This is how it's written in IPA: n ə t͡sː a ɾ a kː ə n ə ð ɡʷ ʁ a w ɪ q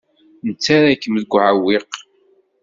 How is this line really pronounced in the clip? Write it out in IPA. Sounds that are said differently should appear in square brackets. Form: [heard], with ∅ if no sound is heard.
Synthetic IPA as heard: n ə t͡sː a ɾ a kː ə [m] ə ð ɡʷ [ʕ] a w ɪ q